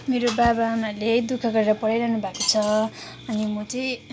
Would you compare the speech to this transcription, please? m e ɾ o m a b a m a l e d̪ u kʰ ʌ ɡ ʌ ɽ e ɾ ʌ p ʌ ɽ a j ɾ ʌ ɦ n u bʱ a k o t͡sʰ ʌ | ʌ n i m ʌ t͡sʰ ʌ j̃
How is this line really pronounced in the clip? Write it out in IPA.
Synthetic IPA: m e ɾ o b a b a m a l e d̪ u kʰ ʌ ɡ ʌ ɾ e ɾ ʌ p ʌ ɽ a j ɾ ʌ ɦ n u bʱ a k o t͡sʰ ʌ | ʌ n i m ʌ t͡s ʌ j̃